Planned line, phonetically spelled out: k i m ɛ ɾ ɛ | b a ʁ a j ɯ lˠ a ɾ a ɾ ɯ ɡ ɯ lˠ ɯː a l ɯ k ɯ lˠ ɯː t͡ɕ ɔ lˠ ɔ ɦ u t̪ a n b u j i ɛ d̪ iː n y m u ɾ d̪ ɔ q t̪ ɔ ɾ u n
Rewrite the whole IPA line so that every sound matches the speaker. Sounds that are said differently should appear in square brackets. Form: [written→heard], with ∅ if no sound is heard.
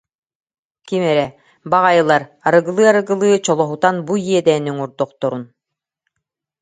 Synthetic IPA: k i m ɛ ɾ ɛ | b a ʁ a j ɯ lˠ a ɾ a ɾ ɯ ɡ ɯ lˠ ɯː a [l→ɾ] ɯ [k→ɡ] ɯ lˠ ɯː t͡ɕ ɔ lˠ ɔ ɦ u t̪ a n b u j i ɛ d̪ [iː→ɛː] n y [m→ŋ] u ɾ d̪ ɔ q t̪ ɔ ɾ u n

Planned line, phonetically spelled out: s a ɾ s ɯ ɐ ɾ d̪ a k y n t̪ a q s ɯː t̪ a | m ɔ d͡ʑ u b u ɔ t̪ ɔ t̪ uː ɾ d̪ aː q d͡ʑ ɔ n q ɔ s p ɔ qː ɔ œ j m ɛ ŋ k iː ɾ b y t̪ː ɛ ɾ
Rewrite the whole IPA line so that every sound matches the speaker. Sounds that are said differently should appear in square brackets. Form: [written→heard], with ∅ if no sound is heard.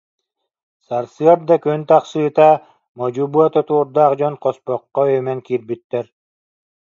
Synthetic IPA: s a ɾ s ɯ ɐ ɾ d̪ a k y n t̪ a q s ɯː t̪ a | m ɔ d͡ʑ u b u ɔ t̪ ɔ t̪ uː ɾ d̪ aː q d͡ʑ ɔ n q ɔ s p ɔ qː ɔ œ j m ɛ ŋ k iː ɾ b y t̪ː ɛ ɾ

